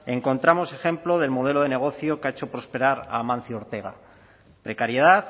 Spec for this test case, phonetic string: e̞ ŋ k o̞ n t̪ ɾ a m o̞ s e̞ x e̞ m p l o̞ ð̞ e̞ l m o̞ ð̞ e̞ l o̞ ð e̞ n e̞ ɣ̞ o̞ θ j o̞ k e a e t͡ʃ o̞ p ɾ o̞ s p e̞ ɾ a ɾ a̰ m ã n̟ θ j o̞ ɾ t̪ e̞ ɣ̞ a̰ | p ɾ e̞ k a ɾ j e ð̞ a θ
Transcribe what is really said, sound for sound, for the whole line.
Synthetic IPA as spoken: e̞ ŋ k o̞ n t̪ ɾ a m o̞ s e̞ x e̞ m p l o̞ ð̞ e̞ l m o̞ ð̞ e̞ l o̞ ð e̞ n e̞ ɣ̞ o̞ θ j o̞ k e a e t͡ʃ o̞ p ɾ o̞ s p e̞ ɾ a ɾ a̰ m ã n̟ θ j o̞ ɾ t̪ e̞ ɣ̞ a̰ | p ɾ e̞ k a ɾ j e ð̞ a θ